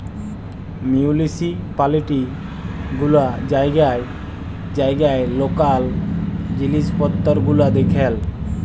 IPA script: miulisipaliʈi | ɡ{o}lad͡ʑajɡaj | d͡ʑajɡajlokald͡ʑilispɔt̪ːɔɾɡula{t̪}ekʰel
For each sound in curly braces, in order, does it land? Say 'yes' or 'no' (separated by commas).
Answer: no, no